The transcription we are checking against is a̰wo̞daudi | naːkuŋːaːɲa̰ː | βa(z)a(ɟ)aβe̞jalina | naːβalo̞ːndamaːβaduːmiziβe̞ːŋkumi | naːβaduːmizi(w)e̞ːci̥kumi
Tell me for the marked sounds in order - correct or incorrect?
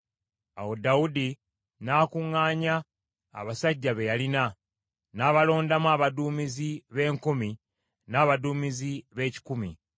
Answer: incorrect: s, incorrect: ɟː, incorrect: β

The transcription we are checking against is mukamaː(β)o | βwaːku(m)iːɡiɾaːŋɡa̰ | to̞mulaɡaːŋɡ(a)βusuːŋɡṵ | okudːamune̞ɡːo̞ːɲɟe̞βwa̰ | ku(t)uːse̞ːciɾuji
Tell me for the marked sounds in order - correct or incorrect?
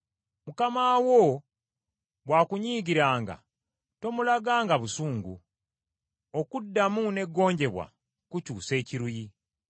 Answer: incorrect: w, incorrect: ɲ, correct, incorrect: c

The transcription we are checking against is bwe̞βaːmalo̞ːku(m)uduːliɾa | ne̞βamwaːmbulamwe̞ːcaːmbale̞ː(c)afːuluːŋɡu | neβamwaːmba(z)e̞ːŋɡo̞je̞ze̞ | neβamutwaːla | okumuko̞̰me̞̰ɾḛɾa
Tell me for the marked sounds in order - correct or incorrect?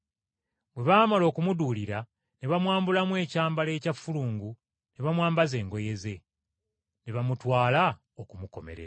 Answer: correct, correct, correct

